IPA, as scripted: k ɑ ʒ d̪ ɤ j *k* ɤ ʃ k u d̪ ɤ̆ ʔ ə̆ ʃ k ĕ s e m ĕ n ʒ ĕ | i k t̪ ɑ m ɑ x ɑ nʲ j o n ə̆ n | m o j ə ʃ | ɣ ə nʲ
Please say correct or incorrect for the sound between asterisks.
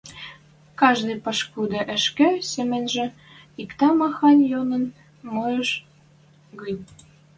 incorrect